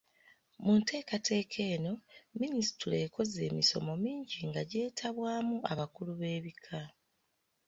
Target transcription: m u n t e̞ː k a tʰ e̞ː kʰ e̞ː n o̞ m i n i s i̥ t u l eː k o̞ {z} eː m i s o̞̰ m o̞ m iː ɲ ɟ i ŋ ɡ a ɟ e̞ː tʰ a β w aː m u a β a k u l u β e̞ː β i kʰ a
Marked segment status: correct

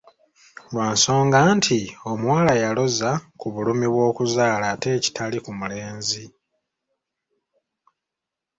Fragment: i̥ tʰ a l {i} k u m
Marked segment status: correct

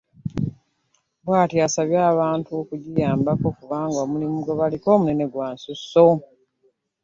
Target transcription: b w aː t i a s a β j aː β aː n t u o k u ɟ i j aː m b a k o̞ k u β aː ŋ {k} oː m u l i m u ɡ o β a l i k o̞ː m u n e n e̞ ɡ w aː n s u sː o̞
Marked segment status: incorrect: ɡ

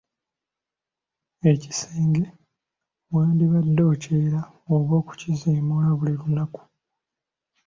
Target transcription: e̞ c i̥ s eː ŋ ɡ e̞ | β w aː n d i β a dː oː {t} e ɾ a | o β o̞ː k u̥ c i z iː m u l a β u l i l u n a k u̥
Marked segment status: incorrect: c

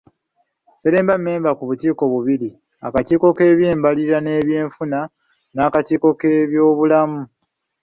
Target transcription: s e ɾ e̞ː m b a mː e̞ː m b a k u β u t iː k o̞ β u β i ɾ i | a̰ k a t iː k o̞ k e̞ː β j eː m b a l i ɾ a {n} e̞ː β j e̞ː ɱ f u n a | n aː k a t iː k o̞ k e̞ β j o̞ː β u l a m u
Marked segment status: correct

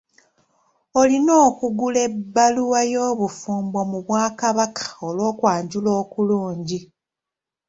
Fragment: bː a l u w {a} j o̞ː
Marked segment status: correct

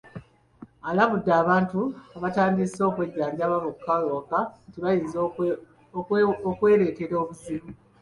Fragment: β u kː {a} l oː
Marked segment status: correct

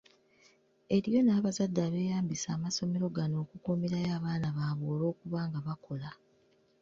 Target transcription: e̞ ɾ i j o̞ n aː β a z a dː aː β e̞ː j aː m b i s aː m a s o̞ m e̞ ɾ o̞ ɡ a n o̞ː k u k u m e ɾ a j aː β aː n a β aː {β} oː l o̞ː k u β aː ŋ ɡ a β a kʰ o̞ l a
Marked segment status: correct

